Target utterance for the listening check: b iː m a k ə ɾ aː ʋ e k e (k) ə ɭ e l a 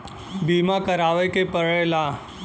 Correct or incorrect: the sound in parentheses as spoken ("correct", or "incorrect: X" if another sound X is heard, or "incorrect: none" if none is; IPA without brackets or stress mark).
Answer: incorrect: p